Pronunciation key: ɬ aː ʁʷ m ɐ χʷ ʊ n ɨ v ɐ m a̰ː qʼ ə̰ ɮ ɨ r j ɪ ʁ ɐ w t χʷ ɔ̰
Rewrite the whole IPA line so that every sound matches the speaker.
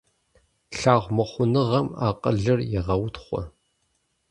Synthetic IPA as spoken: ɬ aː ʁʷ m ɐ χʷ ʊ n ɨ ʁ ɐ m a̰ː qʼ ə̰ ɮ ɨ r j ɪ ʁ ɐ w t χʷ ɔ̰